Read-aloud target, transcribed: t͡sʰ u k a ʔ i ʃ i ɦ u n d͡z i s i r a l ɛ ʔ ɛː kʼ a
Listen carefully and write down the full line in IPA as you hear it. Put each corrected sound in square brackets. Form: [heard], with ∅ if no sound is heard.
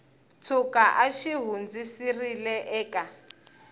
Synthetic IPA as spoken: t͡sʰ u k a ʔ [a] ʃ i ɦ u n d͡z i s i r [i] l ɛ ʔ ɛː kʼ a